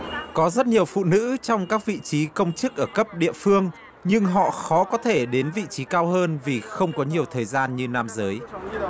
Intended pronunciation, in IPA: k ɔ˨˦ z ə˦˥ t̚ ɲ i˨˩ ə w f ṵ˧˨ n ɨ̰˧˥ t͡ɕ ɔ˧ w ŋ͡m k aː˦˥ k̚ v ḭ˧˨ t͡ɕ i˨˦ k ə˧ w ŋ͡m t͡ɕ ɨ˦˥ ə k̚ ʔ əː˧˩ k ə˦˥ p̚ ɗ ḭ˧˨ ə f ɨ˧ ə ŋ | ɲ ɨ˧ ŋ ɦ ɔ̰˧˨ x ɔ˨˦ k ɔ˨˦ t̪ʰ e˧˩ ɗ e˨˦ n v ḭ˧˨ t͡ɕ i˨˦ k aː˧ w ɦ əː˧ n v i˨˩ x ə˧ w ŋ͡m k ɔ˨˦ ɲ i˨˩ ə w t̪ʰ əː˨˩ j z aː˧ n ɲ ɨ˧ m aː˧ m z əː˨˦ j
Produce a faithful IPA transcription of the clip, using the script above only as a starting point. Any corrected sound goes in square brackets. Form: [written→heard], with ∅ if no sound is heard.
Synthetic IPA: k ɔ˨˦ z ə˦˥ t̚ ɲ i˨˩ ə w f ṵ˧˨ n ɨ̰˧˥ t͡ɕ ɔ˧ w ŋ͡m k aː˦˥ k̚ v ḭ˧˨ t͡ɕ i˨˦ k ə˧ w ŋ͡m t͡ɕ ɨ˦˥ ə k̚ ʔ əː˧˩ k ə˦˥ p̚ ɗ ḭ˧˨ ə f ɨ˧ ə ŋ | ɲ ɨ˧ ŋ ɦ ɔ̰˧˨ x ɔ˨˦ k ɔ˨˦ t̪ʰ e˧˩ ɗ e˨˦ n v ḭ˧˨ t͡ɕ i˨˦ k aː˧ w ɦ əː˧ n v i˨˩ x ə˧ w ŋ͡m k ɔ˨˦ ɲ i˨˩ ə w t̪ʰ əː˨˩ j z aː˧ n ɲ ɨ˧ [m→n] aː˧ m z əː˨˦ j

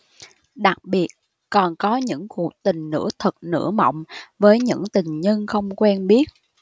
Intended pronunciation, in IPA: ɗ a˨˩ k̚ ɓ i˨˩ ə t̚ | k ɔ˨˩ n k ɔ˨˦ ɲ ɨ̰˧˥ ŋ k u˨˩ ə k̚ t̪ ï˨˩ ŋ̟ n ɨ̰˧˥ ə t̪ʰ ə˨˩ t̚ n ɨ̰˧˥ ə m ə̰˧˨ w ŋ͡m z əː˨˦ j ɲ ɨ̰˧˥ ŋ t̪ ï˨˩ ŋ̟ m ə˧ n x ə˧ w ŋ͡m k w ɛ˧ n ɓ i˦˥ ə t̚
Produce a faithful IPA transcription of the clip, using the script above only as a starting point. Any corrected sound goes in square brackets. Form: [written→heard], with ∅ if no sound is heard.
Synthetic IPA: ɗ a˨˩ k̚ ɓ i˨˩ ə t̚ | k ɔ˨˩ n k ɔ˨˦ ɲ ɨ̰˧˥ ŋ k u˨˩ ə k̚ t̪ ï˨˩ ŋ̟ n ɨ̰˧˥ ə t̪ʰ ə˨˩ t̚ n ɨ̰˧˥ ə m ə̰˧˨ w ŋ͡m [z→v] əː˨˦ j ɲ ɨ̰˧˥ ŋ t̪ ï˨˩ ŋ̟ [m→ɲ] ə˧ n x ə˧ w ŋ͡m k w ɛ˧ n ɓ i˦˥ ə t̚

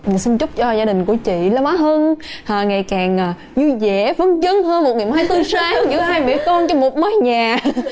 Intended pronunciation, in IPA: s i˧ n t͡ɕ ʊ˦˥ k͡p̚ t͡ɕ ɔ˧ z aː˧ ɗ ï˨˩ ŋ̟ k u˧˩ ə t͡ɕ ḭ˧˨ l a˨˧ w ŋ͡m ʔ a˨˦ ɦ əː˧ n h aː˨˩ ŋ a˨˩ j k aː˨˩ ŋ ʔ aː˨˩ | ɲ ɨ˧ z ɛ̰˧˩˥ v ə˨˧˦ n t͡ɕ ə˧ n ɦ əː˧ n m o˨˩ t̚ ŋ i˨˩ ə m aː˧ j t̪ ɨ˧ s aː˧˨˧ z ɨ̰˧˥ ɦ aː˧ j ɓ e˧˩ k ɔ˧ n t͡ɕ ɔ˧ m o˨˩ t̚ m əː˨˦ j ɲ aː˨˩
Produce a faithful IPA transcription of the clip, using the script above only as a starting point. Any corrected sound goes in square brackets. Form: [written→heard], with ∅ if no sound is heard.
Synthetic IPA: s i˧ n t͡ɕ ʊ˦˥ k͡p̚ t͡ɕ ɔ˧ z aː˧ ɗ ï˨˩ ŋ̟ k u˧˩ ə t͡ɕ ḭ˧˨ l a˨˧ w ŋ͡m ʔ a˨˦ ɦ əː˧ n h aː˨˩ ŋ a˨˩ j k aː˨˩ ŋ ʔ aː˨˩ | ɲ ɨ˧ z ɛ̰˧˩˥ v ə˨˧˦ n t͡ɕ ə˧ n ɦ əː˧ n m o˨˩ t̚ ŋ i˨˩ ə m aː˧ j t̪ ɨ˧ s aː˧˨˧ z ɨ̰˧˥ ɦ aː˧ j ɓ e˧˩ k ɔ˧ n t͡ɕ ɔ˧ m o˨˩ t̚ m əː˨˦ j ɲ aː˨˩

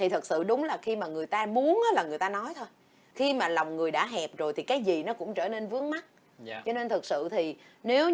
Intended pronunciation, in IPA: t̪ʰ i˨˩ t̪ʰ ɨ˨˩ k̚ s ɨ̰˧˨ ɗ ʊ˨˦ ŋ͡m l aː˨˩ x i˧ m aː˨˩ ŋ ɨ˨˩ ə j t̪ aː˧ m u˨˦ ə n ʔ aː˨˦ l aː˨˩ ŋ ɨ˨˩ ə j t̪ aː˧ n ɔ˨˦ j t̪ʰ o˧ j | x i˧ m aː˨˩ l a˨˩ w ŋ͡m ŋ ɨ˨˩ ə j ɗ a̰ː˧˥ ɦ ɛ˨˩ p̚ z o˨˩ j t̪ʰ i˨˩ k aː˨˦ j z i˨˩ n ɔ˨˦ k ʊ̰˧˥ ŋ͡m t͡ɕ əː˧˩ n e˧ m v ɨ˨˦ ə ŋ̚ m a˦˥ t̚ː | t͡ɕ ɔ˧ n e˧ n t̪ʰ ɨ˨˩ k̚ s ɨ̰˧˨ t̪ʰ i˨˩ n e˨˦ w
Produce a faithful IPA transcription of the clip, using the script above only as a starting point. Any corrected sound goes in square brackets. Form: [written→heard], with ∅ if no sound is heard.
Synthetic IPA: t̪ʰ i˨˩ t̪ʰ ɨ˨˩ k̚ s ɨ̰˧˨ ɗ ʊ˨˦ ŋ͡m l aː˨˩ x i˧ m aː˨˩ ŋ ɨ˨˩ ə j t̪ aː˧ m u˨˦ ə n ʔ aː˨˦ l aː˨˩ ŋ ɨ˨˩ ə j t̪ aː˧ n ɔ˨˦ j t̪ʰ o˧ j | x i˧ m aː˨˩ l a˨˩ w ŋ͡m ŋ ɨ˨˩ ə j ɗ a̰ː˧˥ ɦ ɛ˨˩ p̚ z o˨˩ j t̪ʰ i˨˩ k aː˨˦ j z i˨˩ n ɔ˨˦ k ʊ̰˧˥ ŋ͡m t͡ɕ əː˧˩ n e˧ [m→n] v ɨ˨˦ ə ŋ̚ m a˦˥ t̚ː | t͡ɕ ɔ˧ n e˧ n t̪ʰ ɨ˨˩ k̚ s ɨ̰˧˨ t̪ʰ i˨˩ n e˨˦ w

